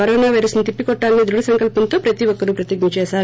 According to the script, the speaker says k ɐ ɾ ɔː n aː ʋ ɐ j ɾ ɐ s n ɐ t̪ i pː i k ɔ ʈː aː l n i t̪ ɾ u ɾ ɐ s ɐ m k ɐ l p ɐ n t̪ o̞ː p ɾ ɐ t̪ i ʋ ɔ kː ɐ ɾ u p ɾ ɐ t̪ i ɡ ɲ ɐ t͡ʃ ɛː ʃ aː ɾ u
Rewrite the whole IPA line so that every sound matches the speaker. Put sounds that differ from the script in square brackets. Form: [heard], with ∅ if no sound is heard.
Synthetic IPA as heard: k ɐ ɾ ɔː n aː ʋ ɐ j ɾ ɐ s n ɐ t̪ i pː i k ɔ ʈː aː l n i [d̪] ɾ u [ɽ] ɐ s ɐ [ŋ] k ɐ l p ɐ n t̪ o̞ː p ɾ ɐ t̪ i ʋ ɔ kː ɐ ɾ u p ɾ ɐ t̪ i ɡ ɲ ɐ t͡ʃ ɛː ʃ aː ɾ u